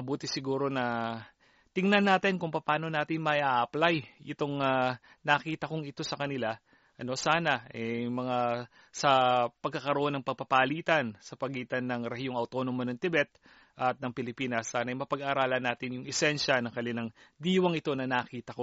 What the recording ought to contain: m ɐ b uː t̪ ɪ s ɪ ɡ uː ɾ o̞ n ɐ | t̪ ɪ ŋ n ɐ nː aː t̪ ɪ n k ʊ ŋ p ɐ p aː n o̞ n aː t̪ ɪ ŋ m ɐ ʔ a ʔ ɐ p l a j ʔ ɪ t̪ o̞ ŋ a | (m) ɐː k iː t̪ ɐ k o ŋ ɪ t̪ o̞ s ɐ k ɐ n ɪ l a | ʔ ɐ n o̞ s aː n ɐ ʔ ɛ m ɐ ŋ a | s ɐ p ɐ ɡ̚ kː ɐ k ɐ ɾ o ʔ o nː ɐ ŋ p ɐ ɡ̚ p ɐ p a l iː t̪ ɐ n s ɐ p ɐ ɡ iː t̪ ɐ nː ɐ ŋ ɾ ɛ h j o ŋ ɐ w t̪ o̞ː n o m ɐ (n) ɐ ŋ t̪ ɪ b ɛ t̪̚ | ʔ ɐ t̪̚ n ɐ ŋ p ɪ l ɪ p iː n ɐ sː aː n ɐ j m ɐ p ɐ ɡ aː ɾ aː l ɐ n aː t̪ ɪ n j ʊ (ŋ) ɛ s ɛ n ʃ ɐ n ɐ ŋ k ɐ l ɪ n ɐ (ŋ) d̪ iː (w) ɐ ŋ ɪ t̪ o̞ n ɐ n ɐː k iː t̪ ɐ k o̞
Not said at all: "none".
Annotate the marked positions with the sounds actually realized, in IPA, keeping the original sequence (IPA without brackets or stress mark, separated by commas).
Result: n, n, ŋ, ŋ, w